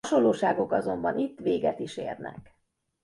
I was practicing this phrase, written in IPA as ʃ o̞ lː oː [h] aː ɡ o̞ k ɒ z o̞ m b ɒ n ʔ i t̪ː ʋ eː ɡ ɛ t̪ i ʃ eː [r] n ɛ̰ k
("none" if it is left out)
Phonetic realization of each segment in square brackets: ʃ, r

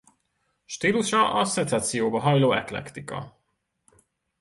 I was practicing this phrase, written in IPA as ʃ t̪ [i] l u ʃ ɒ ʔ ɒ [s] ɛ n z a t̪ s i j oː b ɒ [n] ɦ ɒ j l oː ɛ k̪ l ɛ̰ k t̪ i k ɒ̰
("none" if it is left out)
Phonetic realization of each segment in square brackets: iː, s, none

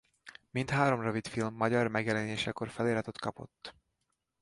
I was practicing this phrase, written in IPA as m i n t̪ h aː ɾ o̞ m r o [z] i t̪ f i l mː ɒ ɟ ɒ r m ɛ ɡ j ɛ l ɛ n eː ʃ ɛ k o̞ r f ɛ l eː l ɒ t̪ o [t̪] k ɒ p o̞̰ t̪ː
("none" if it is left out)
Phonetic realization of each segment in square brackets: v, t̪

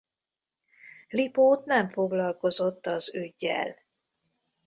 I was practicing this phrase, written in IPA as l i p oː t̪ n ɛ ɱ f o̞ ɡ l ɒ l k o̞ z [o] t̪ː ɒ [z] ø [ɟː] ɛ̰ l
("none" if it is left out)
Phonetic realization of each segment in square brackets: o, z, ɟː

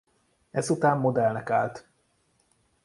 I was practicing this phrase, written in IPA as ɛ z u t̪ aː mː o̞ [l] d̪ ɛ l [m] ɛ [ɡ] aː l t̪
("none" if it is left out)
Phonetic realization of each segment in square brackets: none, n, k

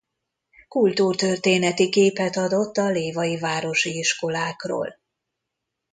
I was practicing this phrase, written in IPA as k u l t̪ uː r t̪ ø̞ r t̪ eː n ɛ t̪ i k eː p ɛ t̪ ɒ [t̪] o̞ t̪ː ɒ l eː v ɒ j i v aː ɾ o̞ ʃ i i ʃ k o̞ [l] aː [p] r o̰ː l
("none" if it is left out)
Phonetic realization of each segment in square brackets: d̪, l, k

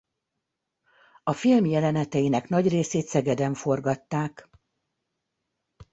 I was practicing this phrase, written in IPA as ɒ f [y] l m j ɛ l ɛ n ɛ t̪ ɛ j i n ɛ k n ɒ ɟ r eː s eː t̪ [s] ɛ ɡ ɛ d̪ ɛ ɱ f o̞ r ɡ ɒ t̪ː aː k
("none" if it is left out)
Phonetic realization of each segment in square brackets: i, s

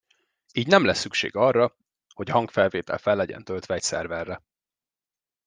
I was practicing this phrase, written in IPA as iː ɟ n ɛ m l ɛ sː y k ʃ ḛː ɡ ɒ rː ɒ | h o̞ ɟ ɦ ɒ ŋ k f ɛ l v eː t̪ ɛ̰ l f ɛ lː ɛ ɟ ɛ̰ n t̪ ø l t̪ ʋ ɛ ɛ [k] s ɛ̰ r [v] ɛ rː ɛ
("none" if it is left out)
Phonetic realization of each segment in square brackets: c, v

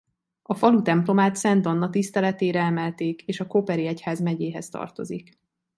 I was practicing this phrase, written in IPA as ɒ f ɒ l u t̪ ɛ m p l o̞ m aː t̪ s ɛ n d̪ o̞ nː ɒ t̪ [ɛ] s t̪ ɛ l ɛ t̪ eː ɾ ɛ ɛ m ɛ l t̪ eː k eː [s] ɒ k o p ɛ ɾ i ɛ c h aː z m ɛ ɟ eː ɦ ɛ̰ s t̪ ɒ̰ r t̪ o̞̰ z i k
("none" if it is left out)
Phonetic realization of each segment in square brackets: i, ʃ

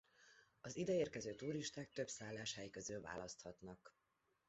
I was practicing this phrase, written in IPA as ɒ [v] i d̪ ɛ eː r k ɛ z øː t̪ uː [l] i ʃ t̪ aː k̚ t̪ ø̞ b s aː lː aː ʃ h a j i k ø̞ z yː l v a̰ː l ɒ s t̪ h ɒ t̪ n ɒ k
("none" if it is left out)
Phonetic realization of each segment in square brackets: z, ɾ

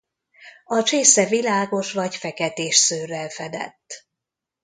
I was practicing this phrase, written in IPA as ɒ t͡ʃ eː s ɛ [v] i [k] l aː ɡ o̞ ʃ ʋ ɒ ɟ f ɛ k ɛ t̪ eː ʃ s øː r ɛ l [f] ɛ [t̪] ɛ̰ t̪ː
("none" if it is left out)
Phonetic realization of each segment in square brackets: v, none, f, d̪

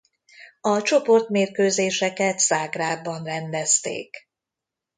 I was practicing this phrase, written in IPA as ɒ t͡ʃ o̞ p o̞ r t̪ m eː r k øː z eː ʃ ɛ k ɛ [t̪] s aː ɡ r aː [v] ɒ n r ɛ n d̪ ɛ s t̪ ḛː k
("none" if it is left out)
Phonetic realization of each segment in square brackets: t̪, b

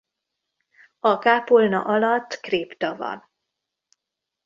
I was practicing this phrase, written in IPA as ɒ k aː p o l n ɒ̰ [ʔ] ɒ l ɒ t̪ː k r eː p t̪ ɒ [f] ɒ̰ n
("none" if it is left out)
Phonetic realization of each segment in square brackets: ʔ, v

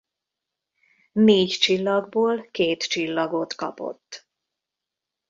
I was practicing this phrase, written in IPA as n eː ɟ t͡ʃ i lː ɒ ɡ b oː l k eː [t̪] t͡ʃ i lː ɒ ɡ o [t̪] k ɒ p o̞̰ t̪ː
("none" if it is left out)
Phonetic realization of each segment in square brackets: t̪, t̪

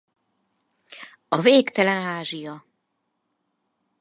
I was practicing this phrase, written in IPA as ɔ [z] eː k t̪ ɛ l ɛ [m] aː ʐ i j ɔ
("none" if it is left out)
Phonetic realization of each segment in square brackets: v, n

